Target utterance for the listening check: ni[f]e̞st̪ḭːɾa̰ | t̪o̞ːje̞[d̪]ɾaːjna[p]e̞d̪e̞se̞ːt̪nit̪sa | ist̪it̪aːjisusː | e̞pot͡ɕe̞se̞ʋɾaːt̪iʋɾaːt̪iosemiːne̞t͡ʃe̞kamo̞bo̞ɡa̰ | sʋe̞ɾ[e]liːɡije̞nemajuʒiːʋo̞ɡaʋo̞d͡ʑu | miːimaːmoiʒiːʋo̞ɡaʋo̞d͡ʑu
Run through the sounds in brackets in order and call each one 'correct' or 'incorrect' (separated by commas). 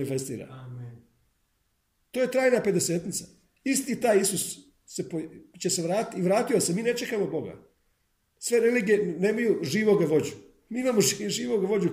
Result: correct, incorrect, correct, correct